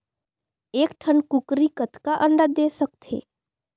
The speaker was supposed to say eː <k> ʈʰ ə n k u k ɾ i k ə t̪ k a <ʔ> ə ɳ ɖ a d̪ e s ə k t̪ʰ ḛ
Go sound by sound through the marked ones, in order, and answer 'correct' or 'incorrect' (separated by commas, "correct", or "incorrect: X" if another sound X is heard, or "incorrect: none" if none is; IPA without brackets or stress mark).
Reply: correct, correct